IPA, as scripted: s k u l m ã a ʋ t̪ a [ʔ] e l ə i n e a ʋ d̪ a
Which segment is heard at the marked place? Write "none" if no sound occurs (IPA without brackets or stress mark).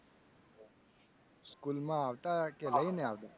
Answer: k